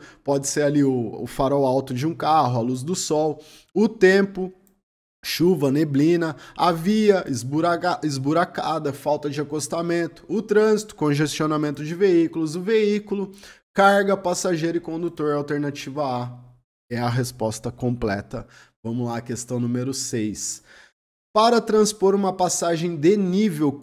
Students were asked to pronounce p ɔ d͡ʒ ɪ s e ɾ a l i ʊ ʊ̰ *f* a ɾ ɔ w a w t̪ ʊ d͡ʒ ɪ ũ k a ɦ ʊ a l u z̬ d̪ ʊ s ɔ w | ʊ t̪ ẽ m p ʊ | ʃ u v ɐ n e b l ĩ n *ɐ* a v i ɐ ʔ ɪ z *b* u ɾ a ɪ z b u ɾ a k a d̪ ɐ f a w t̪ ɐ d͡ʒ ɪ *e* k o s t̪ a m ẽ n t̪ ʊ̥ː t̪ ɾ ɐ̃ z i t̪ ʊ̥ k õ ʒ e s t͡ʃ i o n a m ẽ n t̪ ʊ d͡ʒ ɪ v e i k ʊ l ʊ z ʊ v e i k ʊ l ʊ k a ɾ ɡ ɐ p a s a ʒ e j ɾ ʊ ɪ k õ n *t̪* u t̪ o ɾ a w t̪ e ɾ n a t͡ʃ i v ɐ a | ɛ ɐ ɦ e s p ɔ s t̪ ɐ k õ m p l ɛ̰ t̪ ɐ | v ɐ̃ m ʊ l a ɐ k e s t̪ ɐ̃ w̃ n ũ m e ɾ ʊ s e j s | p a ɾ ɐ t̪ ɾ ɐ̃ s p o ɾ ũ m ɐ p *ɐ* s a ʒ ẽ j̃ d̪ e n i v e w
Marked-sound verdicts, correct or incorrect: correct, correct, correct, incorrect: a, incorrect: d̪, incorrect: a

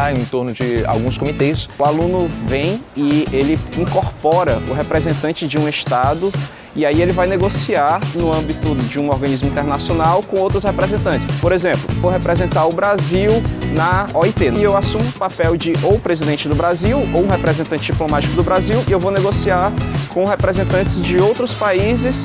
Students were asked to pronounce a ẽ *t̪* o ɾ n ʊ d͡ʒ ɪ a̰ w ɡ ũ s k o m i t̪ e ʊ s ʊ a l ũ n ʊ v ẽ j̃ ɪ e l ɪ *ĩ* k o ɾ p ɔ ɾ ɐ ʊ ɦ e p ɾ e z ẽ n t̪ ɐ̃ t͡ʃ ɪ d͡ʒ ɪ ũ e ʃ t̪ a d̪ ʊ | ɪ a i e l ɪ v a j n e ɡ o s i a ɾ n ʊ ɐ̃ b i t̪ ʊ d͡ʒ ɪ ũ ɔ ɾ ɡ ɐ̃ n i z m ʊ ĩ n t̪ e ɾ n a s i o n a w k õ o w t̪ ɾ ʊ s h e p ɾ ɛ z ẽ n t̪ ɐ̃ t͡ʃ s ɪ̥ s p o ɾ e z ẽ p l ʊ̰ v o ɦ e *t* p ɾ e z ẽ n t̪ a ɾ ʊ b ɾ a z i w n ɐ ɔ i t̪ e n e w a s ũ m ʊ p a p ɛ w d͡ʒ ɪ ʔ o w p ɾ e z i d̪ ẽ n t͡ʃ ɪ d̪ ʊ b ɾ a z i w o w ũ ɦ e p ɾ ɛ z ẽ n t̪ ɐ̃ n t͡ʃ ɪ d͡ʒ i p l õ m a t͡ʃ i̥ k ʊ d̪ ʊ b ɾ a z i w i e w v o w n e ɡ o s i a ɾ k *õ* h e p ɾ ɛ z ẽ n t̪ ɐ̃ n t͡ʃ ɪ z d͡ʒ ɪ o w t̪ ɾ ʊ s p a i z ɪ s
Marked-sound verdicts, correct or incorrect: correct, correct, correct, correct

